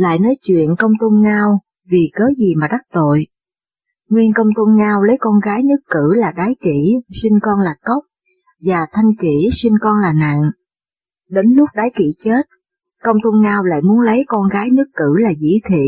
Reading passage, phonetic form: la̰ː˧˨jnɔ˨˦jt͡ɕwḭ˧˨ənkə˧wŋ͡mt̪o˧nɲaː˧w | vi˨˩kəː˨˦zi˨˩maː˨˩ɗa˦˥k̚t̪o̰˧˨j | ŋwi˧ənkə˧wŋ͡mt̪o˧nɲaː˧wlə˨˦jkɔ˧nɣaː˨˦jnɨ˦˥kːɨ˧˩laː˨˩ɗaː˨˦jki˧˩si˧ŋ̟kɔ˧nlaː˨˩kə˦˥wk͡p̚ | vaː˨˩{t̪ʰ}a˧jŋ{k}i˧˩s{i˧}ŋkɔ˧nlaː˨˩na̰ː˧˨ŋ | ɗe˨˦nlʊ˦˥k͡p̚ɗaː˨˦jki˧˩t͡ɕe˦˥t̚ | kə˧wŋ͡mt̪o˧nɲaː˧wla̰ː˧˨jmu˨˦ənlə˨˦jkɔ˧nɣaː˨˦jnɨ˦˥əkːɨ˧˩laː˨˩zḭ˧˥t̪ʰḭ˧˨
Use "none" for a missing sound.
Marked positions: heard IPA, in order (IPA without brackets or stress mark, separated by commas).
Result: t̪ʰ, k, i˧